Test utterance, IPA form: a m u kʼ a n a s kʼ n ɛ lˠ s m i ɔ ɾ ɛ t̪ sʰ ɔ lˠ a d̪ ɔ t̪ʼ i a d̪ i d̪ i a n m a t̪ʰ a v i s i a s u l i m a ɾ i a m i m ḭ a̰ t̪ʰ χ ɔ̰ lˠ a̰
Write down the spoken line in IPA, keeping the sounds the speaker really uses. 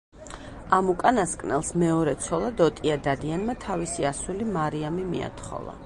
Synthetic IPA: a m u kʼ a n a s kʼ n ɛ lˠ s m ɛ ɔ ɾ ɛ t̪ sʰ ɔ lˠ a d̪ ɔ t̪ʼ i a d̪ a d̪ i a n m a t̪ʰ a v i s i a s u l i m a ɾ i a m i m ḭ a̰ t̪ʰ χ ɔ̰ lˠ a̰